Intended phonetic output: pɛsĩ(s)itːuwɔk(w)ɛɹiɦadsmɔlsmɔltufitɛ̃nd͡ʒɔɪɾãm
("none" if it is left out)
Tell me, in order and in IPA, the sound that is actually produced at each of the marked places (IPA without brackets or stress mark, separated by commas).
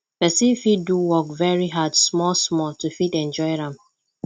f, v